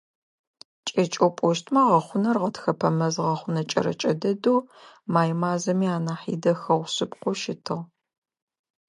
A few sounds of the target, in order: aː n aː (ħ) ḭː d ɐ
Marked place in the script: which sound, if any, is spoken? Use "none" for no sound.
ħ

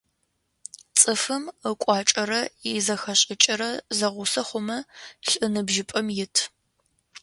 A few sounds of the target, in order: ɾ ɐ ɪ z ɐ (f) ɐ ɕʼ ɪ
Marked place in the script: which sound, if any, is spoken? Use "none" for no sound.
x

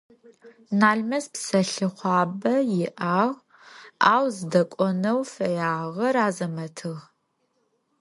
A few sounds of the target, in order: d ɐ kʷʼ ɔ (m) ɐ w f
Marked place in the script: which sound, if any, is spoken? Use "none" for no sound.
n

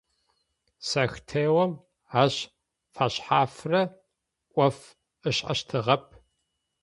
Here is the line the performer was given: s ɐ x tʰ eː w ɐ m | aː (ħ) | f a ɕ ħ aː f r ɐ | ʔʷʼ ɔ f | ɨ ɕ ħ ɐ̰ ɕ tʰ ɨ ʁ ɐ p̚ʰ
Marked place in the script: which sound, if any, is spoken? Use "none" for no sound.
ɕ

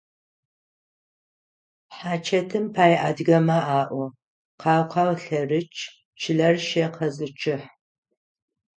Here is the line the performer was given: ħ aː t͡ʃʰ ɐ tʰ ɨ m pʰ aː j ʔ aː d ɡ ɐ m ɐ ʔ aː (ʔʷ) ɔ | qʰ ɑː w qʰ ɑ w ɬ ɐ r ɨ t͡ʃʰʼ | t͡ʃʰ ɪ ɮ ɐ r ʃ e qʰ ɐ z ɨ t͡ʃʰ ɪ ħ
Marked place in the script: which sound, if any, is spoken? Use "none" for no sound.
ʔʷ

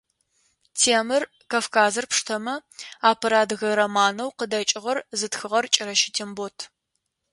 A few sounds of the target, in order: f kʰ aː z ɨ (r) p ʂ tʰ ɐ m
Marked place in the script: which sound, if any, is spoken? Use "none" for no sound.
r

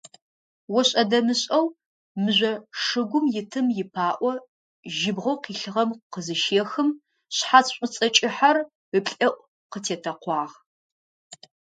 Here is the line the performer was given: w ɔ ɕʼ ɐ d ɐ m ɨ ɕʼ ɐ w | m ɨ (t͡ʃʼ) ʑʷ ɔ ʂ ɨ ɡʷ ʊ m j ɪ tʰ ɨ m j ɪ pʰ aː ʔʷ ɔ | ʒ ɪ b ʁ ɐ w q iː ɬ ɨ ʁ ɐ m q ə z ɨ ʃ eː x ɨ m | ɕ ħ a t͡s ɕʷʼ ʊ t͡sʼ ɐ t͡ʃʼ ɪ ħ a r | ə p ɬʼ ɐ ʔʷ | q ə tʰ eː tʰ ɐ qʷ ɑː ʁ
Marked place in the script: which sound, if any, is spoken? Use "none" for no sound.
none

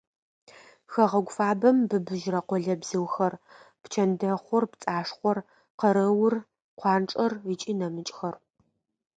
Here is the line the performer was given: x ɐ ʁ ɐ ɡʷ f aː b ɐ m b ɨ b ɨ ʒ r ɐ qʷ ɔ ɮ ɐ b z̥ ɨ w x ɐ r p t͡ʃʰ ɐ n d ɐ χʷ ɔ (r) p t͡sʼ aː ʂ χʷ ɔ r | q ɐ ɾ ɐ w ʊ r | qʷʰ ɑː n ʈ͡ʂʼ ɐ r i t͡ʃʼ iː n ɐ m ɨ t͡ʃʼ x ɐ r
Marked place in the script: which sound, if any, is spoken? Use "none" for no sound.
r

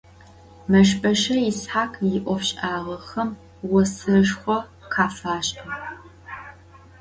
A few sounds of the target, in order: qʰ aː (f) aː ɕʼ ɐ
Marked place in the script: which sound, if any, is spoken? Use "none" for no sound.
f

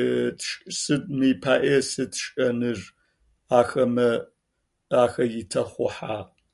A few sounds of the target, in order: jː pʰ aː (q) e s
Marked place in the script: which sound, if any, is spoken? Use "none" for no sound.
ʔ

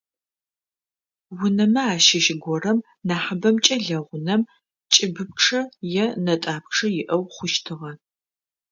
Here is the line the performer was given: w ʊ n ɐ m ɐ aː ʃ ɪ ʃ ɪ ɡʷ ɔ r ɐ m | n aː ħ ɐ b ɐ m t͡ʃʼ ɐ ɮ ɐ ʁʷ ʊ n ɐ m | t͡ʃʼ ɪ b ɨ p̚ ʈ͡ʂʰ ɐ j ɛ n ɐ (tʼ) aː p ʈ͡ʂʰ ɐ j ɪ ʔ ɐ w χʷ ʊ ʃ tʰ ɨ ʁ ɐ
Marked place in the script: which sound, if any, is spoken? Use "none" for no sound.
tʼ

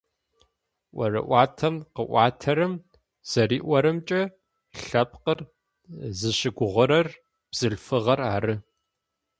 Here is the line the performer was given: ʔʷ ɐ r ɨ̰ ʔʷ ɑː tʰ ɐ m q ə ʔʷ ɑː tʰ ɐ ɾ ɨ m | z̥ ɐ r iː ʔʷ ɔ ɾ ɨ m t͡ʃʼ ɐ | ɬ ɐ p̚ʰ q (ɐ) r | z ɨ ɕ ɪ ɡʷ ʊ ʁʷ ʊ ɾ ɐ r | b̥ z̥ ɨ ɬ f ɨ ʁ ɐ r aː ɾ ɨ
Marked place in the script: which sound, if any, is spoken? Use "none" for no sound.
ə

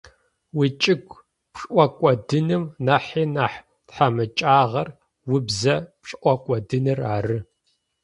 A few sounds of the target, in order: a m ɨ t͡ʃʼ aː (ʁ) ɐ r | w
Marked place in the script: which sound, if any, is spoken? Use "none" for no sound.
ʁ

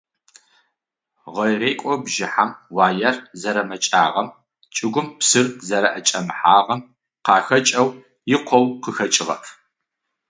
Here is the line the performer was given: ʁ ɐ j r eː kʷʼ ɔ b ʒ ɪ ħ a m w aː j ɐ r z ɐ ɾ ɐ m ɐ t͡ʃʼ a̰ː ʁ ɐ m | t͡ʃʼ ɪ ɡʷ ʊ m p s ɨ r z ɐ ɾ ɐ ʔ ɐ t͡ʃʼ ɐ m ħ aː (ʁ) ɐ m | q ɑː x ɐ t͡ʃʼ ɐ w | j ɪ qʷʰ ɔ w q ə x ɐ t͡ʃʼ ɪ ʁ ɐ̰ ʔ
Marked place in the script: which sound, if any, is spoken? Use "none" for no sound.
ʁ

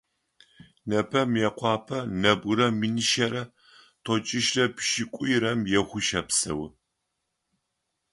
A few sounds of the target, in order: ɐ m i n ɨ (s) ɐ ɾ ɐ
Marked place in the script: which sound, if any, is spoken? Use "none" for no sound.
ʃ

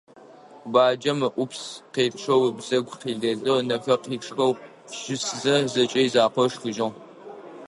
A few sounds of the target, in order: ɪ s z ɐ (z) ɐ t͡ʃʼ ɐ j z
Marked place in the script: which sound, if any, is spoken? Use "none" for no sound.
z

